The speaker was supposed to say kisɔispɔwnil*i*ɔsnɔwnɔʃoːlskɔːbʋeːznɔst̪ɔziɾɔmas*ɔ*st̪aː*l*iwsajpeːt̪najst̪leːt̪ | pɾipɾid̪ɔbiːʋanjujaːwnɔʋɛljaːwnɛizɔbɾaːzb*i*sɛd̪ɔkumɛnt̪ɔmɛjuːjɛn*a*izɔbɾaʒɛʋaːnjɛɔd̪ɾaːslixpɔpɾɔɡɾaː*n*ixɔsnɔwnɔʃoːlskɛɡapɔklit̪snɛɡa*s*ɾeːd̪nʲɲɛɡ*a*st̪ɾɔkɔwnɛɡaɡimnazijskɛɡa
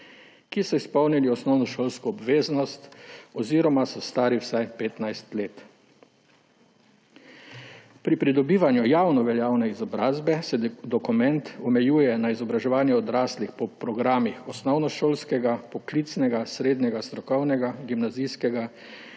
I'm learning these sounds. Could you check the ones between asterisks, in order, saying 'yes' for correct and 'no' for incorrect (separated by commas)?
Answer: yes, yes, no, no, yes, no, yes, yes